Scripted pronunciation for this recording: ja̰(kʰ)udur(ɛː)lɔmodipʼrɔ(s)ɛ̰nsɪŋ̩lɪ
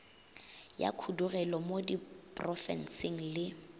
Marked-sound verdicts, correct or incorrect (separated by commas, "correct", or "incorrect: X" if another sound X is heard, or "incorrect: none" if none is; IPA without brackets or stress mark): correct, incorrect: ɛ, incorrect: f